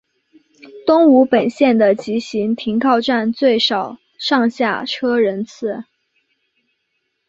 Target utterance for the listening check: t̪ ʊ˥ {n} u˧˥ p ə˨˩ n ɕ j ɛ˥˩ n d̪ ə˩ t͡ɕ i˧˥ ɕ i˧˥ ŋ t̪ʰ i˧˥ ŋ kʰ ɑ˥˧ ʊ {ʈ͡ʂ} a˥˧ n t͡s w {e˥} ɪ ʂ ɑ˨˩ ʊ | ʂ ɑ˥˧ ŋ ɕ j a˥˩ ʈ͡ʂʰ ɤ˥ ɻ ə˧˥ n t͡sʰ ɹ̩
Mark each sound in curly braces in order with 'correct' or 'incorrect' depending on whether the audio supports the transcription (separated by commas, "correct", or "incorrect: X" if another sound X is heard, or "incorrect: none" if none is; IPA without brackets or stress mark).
incorrect: ŋ, correct, incorrect: e˥˩